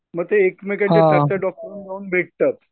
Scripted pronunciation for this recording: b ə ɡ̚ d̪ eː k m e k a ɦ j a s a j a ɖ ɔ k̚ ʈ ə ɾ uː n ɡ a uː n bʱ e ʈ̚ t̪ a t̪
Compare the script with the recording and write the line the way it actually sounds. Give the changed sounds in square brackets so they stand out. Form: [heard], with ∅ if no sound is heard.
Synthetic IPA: [m] ə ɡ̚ [t̪] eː k m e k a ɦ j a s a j a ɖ ɔ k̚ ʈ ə ɾ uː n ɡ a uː n bʱ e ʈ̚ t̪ a t̪